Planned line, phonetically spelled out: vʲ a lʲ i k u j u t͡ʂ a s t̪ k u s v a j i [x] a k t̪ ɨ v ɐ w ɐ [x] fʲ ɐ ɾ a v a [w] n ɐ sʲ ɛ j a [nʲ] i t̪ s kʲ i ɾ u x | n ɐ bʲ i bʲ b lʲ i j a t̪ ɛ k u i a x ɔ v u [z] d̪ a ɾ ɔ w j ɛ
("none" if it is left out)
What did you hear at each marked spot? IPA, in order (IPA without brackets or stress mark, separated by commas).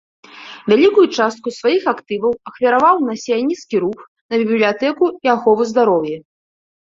x, x, w, nʲ, z